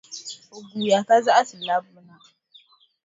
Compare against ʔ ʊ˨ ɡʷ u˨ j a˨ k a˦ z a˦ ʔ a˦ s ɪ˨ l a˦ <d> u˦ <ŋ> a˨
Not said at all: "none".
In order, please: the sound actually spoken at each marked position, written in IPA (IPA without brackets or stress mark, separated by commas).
b, n